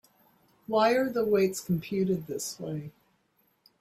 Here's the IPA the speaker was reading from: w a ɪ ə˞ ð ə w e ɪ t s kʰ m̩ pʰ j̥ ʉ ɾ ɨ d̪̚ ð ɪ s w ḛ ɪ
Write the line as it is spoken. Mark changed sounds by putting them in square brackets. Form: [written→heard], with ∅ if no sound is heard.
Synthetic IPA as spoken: w a ɪ ə˞ ð ə w e ɪ t s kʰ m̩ pʰ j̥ ʉ ɾ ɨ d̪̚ ð ɪ s w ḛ ɪ

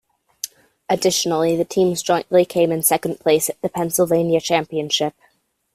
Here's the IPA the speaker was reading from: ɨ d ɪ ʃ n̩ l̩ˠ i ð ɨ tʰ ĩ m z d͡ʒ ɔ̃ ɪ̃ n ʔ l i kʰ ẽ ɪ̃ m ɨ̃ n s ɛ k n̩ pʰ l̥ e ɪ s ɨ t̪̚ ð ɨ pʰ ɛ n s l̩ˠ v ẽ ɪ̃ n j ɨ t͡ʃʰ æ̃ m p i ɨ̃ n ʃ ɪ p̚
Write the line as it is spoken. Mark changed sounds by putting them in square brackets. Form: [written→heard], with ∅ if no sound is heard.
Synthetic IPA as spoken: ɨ d ɪ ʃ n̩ l̩ˠ i ð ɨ tʰ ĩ m z d͡ʒ ɔ̃ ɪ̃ n ʔ l i kʰ ẽ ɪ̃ m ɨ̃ n s ɛ k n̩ pʰ l̥ e ɪ s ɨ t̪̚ ð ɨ pʰ [ɛ→ɛ̃] n s l̩ˠ v ẽ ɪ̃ n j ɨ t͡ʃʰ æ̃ m p i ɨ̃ n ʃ ɪ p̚

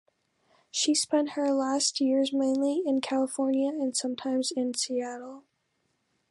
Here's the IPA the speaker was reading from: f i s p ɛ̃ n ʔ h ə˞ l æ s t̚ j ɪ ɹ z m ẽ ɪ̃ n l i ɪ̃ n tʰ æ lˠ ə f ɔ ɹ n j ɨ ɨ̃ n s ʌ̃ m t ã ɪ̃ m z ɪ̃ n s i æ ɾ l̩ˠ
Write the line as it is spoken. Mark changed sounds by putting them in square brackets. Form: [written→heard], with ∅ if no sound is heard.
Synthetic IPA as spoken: [f→ʃ] i s p ɛ̃ n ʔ h ə˞ l æ s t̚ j ɪ ɹ z m ẽ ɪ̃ n l i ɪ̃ n [tʰ→kʰ] æ lˠ ə f ɔ ɹ n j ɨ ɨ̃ n s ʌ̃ m [t→tʰ] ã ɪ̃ m z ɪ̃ n s i æ ɾ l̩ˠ

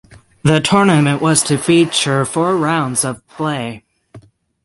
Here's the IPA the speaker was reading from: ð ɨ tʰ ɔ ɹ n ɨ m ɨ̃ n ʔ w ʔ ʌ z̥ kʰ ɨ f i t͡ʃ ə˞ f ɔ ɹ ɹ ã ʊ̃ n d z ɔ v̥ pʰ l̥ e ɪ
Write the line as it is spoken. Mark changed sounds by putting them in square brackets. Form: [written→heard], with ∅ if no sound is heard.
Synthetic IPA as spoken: ð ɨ tʰ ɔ ɹ n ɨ m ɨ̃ n ʔ w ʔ ʌ z̥ [kʰ→tʰ] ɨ f i t͡ʃ ə˞ f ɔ ɹ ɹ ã ʊ̃ n d z [ɔ→ʌ] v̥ pʰ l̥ e ɪ

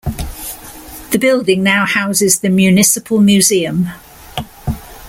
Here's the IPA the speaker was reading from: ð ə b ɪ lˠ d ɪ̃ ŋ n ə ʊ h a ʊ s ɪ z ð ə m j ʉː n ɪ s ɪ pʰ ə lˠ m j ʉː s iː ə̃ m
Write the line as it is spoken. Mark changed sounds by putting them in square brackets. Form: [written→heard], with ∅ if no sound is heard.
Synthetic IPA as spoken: ð ə b ɪ lˠ d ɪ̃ ŋ n [ə→a] ʊ h a ʊ [s→z] ɪ z ð ə m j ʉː n ɪ s ɪ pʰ ə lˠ m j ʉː [s→z] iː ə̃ m

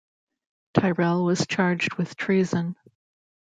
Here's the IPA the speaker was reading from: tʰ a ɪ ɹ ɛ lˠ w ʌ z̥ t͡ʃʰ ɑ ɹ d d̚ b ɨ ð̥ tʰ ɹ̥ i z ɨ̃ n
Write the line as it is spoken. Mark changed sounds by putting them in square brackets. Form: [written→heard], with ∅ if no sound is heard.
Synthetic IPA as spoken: tʰ a ɪ ɹ ɛ lˠ w ʌ z̥ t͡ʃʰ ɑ ɹ [d→d͡ʒ] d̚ [b→w] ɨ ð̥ tʰ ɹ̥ i z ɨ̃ n

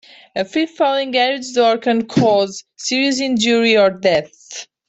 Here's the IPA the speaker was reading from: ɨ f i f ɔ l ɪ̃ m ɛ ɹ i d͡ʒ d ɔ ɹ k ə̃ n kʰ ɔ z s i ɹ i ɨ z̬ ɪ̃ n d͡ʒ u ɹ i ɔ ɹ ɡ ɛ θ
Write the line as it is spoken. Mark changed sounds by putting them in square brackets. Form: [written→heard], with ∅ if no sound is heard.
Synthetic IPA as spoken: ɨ f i f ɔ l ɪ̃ [m→ŋ] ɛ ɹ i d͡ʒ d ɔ ɹ k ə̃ n kʰ ɔ z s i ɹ i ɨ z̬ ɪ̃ n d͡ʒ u ɹ i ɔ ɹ [ɡ→d] ɛ θ

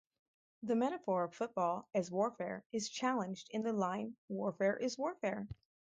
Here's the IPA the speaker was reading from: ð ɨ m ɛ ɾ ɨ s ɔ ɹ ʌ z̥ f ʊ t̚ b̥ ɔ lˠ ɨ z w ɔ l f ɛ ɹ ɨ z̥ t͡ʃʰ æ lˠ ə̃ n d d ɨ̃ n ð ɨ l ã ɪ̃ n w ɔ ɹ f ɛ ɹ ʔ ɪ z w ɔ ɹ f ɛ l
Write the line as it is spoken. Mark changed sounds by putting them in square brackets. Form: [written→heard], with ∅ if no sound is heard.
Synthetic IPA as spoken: ð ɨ m ɛ ɾ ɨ [s→f] ɔ ɹ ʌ [z̥→v̥] f ʊ t̚ b̥ ɔ lˠ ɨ z w ɔ [l→ɹ] f ɛ ɹ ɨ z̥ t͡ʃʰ æ lˠ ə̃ n [d→d͡ʒ] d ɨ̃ n ð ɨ l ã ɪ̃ n w ɔ ɹ f ɛ ɹ ʔ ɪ z w ɔ ɹ f ɛ [l→ɹ]

